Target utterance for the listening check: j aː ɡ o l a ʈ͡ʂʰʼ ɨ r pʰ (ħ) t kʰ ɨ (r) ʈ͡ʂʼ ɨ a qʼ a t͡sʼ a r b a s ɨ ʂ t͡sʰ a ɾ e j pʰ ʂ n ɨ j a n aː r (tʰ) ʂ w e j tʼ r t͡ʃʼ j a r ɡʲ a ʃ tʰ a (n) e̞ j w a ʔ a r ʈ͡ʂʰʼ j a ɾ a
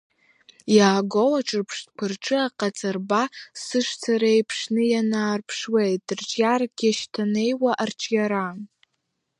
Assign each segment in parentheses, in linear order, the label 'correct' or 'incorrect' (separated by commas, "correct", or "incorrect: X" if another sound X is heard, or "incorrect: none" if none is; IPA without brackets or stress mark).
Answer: incorrect: ʂ, correct, incorrect: pʰ, correct